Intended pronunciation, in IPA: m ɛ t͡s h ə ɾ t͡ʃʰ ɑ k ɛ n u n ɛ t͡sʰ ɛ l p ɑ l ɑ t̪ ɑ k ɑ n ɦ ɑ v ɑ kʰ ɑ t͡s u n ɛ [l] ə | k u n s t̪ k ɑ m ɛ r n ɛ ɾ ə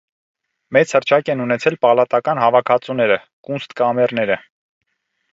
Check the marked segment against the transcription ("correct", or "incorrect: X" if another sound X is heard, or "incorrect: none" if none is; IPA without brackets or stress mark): incorrect: ɾ